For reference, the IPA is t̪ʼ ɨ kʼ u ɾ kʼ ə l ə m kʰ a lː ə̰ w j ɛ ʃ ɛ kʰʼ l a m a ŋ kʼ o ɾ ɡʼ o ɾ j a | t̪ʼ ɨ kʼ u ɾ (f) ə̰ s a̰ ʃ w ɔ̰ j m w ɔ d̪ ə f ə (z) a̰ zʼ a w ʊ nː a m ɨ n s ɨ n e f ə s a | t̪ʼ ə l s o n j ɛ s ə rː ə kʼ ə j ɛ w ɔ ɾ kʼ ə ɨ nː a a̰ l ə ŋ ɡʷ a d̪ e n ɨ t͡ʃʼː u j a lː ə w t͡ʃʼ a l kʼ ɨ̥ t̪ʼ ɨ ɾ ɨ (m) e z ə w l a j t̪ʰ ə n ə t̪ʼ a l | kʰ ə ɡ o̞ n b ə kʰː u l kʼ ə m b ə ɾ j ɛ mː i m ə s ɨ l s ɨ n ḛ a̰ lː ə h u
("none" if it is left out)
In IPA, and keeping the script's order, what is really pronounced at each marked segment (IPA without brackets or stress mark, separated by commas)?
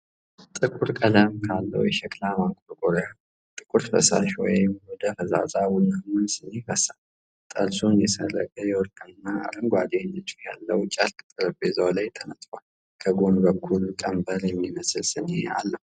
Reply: f, z, b